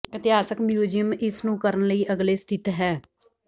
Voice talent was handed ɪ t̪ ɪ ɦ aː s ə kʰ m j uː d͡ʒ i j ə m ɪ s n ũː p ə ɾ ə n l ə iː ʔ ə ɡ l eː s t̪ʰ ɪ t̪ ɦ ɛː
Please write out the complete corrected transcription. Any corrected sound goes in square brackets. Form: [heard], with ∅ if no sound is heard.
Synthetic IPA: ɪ t̪ ɪ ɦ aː s ə [k] m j uː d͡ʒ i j ə m ɪ s n ũː [k] ə ɾ ə n l ə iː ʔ ə ɡ l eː s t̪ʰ ɪ t̪ ɦ ɛː